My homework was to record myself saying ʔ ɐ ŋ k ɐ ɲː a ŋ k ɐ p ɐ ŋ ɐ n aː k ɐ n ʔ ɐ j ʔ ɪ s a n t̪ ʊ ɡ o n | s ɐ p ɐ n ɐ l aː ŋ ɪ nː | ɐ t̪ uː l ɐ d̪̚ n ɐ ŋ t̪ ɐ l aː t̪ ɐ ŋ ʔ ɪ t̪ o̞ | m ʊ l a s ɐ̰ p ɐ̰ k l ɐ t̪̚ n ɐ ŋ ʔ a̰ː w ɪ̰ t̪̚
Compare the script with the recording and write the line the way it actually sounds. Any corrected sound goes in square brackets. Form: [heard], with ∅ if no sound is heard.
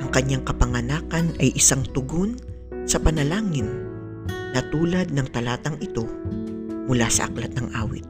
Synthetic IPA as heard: ʔ ɐ ŋ k ɐ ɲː a ŋ k ɐ p ɐ ŋ ɐ n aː k ɐ n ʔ ɐ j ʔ ɪ s a [ŋ] t̪ ʊ ɡ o n | s ɐ p ɐ n ɐ l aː ŋ ɪ nː | ɐ t̪ uː l ɐ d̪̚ n ɐ ŋ t̪ ɐ l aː t̪ ɐ ŋ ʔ ɪ t̪ o̞ | m ʊ l a s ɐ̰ [ʔ] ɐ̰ k l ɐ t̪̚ n ɐ ŋ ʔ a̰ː w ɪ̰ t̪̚